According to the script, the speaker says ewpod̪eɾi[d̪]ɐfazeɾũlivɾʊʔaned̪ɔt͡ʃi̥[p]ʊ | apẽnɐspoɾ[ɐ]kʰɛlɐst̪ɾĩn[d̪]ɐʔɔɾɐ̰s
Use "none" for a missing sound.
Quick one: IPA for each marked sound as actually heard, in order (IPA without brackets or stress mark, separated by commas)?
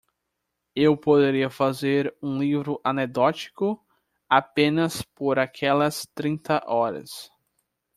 none, k, a, t̪